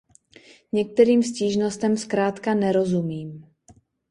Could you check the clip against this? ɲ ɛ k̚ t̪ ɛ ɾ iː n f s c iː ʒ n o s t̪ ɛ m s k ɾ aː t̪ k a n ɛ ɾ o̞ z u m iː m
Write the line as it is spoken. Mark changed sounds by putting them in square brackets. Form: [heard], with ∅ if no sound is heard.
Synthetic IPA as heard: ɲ ɛ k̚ t̪ ɛ ɾ iː [m] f s c iː ʒ n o s t̪ ɛ m s k ɾ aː t̪ k a n ɛ ɾ o̞ z u m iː m